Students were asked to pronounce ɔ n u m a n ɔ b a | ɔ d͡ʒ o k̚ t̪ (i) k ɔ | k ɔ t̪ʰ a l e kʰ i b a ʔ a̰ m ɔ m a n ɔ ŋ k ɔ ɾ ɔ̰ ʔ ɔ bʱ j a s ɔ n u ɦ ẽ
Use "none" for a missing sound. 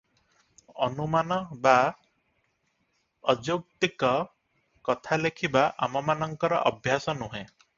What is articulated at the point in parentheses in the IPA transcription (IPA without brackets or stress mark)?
i